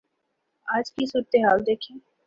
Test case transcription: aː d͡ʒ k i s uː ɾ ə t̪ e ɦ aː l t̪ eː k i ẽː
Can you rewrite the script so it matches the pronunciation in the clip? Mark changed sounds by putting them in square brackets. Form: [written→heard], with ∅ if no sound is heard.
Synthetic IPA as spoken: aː d͡ʒ k i s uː ɾ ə t̪ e ɦ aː l [t̪→d̪] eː [k→kʰ] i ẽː